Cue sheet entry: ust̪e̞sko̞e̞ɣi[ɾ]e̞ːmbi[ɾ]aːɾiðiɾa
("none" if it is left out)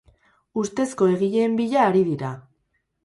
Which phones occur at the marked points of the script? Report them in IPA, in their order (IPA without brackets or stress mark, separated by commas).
ʎ, ʎ